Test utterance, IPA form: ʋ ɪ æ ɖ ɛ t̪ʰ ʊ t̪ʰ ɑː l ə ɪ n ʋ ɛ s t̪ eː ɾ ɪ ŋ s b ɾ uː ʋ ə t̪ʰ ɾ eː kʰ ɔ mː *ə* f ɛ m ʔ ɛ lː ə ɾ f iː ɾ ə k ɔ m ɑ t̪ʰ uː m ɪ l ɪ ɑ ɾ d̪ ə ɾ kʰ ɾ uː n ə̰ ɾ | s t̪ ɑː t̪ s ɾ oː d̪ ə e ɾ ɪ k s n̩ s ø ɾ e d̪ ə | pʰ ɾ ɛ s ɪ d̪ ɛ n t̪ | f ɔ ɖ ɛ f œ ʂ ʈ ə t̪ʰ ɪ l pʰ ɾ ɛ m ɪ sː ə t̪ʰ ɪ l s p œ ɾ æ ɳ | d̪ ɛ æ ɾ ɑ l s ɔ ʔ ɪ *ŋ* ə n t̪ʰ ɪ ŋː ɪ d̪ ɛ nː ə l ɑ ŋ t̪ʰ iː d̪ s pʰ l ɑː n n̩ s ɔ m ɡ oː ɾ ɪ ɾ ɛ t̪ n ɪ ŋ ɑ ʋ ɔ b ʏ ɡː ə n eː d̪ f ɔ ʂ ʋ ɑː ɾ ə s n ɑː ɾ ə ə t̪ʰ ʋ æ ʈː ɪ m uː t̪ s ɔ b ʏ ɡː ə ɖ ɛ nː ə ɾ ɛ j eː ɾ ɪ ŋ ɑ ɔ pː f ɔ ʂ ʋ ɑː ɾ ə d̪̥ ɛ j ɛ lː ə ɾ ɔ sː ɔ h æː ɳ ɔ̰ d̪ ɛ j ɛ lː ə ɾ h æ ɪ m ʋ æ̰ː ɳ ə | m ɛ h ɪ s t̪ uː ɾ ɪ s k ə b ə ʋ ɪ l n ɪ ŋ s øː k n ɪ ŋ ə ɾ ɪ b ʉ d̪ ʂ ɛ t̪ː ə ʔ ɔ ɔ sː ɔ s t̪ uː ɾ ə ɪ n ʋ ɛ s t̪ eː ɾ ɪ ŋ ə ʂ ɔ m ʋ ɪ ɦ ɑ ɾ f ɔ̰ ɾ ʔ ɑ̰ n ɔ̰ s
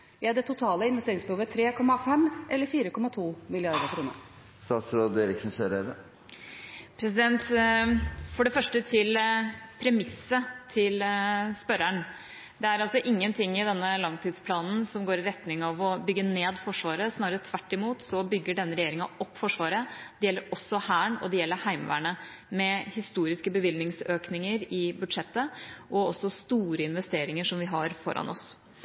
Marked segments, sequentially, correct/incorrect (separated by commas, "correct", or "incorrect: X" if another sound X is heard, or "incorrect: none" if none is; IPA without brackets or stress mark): incorrect: ɑ, incorrect: ŋː